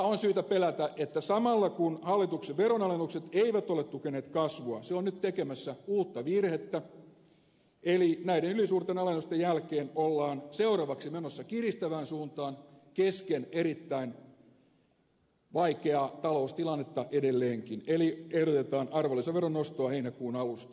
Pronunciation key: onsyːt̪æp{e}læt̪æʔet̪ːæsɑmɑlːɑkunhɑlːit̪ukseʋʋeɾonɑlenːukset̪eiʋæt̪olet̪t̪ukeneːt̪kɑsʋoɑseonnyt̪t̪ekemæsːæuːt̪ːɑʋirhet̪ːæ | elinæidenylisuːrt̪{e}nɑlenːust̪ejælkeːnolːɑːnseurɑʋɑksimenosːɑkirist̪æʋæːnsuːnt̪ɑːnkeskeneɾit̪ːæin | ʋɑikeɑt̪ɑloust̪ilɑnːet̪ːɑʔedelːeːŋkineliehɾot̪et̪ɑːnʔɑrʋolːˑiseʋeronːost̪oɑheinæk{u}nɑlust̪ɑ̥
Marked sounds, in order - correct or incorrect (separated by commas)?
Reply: correct, correct, incorrect